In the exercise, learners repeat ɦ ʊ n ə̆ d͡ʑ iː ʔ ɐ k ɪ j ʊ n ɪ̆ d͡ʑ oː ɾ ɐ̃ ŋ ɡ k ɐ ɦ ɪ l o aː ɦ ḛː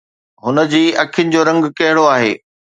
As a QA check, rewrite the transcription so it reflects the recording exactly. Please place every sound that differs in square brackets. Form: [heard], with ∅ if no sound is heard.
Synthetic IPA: ɦ ʊ n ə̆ d͡ʑ iː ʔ ɐ [kʰ] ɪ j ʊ n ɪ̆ d͡ʑ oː ɾ ɐ̃ ŋ ɡ k ɐ ɦ ɪ [ɽ] o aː ɦ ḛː